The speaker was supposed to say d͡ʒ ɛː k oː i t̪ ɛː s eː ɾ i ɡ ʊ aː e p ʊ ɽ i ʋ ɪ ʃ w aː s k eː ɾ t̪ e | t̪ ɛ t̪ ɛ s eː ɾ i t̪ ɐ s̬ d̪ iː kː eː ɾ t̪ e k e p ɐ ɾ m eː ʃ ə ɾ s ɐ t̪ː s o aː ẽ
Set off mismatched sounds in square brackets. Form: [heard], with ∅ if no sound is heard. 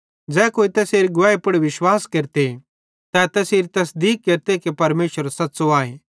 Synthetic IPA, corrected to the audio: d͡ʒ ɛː k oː i t̪ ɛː s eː ɾ i ɡ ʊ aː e p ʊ ɽ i ʋ ɪ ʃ w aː s k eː ɾ t̪ e | t̪ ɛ t̪ ɛ s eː ɾ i t̪ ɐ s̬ d̪ iː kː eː ɾ t̪ e k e p ɐ ɾ m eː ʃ ə ɾ s ɐ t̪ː s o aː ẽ

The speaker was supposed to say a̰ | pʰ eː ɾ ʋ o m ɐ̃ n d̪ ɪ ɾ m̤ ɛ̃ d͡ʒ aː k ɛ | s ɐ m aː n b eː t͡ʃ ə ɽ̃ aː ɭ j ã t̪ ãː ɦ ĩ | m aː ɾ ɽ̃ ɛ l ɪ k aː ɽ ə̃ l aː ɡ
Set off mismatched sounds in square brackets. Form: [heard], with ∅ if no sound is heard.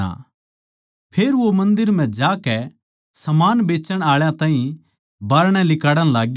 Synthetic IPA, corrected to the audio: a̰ | pʰ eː ɾ ʋ o m ɐ̃ n d̪ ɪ ɾ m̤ ɛ̃ d͡ʒ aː k ɛ | s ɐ m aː n b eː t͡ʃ ə ɽ̃ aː ɭ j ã t̪ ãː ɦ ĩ | [b] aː ɾ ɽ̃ ɛ l ɪ k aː ɽ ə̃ l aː ɡ

